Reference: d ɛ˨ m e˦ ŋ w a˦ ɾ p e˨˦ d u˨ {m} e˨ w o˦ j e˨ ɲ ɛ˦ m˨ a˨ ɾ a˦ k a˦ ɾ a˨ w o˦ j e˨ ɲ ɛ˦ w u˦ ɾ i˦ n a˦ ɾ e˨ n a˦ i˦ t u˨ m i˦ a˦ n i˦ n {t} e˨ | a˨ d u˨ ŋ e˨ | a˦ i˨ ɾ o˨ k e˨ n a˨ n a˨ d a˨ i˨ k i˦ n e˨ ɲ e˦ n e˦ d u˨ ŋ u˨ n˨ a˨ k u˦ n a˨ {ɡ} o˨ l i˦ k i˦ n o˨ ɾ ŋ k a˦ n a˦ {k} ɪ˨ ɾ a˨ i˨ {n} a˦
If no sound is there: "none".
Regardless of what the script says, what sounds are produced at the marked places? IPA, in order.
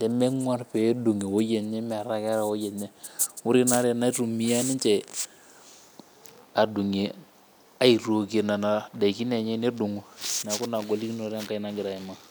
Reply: ŋ, t͡ʃ, ɡ, ɡ, m

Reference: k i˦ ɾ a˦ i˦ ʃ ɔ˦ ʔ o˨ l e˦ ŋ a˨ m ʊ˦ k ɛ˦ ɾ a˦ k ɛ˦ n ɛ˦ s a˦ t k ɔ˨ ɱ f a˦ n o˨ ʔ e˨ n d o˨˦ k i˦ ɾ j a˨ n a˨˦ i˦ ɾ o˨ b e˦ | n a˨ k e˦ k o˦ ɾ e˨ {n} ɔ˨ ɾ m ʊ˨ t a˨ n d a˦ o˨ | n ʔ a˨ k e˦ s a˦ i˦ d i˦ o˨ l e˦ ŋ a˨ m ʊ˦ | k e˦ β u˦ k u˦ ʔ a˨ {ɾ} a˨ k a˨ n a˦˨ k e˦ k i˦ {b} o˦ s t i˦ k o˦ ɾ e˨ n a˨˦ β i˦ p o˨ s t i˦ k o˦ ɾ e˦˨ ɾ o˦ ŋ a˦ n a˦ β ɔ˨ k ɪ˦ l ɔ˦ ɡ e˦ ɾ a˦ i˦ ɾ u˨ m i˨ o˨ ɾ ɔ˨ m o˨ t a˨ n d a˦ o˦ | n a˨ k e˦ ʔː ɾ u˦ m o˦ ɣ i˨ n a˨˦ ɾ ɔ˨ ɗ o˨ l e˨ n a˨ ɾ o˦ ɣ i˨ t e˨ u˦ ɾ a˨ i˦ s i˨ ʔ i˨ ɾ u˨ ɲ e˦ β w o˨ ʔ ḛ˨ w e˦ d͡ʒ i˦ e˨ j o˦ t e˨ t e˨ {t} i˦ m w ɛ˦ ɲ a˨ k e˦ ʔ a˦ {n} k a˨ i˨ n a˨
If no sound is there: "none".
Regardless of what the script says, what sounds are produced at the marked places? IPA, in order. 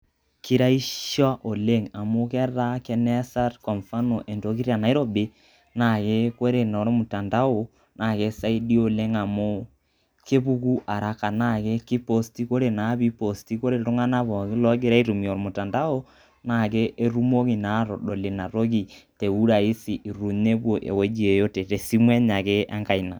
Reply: n, ɾ, p, s, ŋ

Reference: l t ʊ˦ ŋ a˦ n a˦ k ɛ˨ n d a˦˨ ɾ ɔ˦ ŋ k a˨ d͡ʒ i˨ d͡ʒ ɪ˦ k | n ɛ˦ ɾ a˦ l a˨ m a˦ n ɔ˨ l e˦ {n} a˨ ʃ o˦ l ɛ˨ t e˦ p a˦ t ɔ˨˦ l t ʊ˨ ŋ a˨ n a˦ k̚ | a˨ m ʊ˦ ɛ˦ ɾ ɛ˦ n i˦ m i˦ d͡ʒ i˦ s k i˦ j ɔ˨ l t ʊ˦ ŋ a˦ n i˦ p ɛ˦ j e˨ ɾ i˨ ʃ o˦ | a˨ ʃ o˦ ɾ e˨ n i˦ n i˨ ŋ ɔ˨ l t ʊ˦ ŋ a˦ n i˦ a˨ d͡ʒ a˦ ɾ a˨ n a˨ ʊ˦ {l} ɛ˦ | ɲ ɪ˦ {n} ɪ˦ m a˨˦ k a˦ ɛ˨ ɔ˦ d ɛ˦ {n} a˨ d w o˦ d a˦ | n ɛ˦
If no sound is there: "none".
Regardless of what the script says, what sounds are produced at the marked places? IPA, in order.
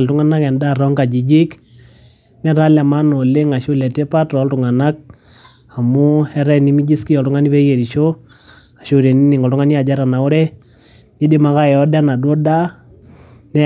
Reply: ŋ, ɾ, d, n

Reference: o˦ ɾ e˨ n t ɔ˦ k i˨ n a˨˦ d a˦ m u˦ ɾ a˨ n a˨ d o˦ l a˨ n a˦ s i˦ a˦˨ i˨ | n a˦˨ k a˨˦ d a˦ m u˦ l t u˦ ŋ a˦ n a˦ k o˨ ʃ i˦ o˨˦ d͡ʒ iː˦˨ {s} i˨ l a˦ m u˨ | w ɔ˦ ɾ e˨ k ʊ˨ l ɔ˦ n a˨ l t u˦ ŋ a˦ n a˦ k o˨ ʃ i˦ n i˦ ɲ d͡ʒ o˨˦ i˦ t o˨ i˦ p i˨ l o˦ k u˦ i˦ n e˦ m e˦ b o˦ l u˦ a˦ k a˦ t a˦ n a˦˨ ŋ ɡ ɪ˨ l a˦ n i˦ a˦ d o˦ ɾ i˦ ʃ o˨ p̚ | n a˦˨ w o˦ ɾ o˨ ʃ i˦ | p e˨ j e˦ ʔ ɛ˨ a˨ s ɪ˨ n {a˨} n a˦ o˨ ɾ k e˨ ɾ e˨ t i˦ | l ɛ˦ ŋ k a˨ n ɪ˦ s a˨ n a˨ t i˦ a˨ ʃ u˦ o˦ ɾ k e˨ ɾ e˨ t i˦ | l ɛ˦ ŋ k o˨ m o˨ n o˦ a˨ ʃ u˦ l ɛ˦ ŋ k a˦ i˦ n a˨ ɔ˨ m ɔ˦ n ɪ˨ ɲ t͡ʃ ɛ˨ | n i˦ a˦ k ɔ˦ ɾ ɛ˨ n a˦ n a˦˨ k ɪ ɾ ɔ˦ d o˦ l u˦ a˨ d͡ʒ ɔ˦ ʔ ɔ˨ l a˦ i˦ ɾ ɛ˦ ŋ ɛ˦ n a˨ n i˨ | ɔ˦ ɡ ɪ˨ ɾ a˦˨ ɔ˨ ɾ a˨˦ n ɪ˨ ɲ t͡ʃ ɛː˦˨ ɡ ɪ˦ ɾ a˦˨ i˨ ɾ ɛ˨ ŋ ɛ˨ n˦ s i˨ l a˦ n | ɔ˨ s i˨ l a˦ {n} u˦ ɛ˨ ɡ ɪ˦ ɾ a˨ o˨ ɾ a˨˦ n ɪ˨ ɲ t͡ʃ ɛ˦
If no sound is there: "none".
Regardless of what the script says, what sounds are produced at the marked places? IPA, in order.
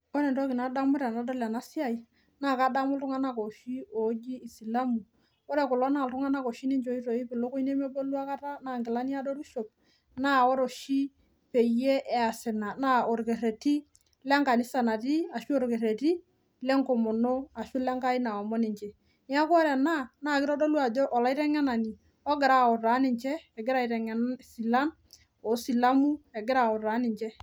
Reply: s, a˨, m

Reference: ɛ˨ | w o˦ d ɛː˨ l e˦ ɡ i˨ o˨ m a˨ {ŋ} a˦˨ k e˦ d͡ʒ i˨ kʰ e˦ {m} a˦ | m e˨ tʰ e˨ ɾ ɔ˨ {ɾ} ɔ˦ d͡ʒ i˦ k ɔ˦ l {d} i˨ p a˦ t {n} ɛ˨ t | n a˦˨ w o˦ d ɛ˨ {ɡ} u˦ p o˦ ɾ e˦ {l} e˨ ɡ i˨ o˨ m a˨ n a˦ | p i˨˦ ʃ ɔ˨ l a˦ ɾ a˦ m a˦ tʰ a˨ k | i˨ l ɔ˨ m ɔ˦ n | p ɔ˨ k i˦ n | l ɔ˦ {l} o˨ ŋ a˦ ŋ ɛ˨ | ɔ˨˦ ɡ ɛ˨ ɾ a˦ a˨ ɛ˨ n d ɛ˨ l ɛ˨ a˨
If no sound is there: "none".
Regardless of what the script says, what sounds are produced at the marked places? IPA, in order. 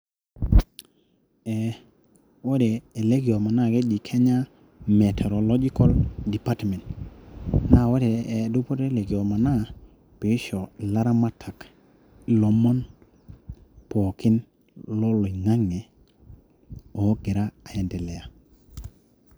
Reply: n, ɲ, l, d, m, d, l, l

